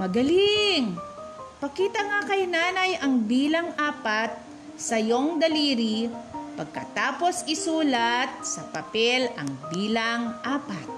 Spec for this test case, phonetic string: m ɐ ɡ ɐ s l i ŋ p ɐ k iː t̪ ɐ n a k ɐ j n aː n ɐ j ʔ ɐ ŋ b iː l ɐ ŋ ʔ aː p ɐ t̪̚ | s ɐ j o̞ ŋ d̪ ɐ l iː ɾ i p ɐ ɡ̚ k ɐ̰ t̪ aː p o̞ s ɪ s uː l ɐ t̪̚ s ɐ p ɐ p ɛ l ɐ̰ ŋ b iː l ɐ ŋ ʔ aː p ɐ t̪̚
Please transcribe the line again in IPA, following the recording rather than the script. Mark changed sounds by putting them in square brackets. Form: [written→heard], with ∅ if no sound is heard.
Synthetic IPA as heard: m ɐ ɡ ɐ [s→∅] l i ŋ p ɐ k iː t̪ ɐ [n→ŋ] a k ɐ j n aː n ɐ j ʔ ɐ ŋ b iː l ɐ ŋ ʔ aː p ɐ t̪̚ | s ɐ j o̞ ŋ d̪ ɐ l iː ɾ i p ɐ ɡ̚ k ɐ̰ t̪ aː p o̞ s ɪ s uː l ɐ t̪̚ s ɐ p ɐ p ɛ l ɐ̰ ŋ b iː l ɐ ŋ ʔ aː p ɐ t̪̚